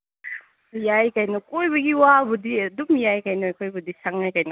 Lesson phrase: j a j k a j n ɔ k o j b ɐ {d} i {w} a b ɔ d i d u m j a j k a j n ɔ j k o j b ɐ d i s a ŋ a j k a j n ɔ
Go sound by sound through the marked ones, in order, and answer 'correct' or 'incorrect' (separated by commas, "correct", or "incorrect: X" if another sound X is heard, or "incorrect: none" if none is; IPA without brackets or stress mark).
incorrect: ɡ, correct